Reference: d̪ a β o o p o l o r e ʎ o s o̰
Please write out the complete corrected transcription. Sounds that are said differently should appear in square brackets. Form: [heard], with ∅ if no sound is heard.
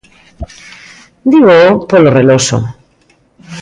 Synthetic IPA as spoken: d̪ [i] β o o p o l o r e [l] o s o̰